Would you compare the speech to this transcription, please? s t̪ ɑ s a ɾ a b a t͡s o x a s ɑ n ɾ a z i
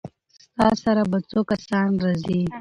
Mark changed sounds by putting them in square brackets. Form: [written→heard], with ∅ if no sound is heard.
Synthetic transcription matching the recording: s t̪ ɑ s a ɾ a b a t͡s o [x→k] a s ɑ n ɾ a z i